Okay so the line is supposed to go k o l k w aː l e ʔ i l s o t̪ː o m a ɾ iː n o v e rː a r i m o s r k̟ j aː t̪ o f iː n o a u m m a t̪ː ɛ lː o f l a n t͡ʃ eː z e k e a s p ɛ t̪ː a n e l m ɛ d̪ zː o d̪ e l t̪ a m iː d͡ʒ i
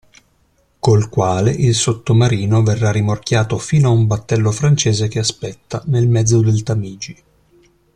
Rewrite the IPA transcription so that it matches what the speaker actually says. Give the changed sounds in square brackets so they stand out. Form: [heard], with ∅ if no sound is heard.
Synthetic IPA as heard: k o l k w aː l e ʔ i l s o t̪ː o m a ɾ iː n o v e rː a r i m o [∅] r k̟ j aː t̪ o f iː n o a u m [b] a t̪ː ɛ lː o f [ɾ] a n t͡ʃ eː z e k e a s p ɛ t̪ː a n e l m ɛ d̪ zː o d̪ e l t̪ a m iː d͡ʒ i